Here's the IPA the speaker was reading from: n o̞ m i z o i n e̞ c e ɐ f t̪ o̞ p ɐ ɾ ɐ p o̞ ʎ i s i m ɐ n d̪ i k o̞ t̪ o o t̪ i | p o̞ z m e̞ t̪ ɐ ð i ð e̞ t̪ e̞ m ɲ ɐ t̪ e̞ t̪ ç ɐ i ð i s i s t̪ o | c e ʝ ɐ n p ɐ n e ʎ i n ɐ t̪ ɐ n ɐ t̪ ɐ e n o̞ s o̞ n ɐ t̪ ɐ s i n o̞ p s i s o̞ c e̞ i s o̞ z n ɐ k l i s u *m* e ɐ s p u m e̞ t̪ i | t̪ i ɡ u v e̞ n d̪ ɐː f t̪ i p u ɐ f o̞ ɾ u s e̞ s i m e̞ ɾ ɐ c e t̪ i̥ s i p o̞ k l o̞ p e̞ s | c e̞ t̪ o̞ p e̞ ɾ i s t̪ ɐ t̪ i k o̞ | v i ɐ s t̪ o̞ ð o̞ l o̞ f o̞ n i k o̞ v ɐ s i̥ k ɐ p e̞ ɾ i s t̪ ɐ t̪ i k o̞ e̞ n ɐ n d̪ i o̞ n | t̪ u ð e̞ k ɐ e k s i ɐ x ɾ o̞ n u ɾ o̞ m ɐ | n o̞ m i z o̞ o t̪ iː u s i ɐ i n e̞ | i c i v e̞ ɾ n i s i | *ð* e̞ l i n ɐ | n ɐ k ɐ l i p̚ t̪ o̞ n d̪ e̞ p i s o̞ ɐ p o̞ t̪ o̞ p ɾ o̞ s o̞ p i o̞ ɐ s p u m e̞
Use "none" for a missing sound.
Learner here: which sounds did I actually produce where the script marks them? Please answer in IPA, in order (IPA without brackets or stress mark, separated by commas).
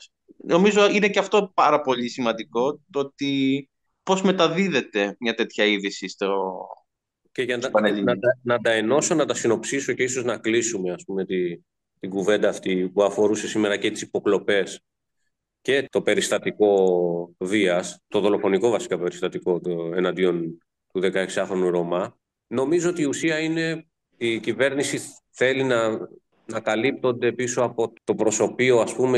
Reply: m, θ